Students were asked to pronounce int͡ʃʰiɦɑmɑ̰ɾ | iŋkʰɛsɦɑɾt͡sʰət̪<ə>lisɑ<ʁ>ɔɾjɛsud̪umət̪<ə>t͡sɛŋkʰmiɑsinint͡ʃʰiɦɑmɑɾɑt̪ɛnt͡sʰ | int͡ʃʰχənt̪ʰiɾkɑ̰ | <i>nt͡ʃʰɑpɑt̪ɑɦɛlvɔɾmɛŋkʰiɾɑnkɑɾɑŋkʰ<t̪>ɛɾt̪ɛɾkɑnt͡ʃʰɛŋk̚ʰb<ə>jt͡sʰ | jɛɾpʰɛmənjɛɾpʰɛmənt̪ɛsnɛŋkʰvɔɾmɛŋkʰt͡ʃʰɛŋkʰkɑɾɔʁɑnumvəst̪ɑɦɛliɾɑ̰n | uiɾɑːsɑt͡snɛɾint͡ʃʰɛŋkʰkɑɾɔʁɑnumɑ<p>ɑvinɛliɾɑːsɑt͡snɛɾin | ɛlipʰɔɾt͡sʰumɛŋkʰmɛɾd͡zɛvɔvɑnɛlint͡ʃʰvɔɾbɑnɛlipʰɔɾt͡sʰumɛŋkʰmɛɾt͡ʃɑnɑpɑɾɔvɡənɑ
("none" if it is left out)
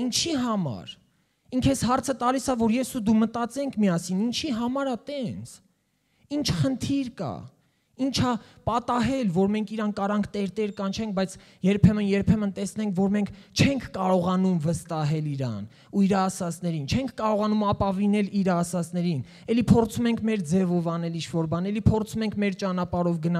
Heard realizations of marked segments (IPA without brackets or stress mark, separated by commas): ɑ, v, ɑ, i, t̪, ɑ, p